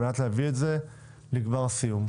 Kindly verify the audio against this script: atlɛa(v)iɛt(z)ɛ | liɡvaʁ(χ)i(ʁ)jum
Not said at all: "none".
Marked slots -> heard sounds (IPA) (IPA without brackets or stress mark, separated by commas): v, z, s, none